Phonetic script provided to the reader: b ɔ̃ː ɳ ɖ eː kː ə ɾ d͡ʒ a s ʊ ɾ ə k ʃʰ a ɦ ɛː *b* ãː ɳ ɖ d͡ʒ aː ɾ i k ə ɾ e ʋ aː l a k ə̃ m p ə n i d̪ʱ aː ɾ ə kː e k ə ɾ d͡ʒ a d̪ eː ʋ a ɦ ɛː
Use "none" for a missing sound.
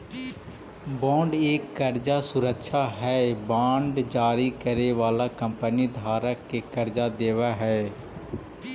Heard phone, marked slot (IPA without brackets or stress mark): b